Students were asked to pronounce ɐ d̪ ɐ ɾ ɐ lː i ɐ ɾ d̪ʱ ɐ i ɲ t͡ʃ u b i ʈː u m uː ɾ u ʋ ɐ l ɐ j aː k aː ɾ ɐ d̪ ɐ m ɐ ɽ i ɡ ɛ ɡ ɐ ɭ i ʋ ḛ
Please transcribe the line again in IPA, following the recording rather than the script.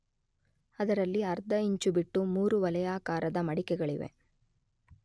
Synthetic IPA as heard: ɐ d̪ ɐ ɾ ɐ lː i ɐ ɾ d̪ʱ ɐ i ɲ t͡ʃ u b i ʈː u m uː ɾ u ʋ ɐ l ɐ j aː k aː ɾ ɐ d̪ ɐ m ɐ ɽ i k ɛ ɡ ɐ ɭ i ʋ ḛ